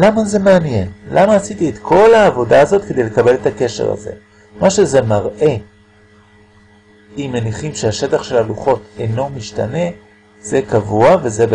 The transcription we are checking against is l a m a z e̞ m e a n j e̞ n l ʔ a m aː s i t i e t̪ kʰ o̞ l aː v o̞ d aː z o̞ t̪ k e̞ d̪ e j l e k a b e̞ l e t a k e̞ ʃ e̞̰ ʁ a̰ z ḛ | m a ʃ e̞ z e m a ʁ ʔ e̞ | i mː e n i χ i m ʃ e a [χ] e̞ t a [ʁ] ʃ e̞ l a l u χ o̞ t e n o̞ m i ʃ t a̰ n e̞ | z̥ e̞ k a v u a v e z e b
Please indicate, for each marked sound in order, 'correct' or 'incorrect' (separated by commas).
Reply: incorrect, incorrect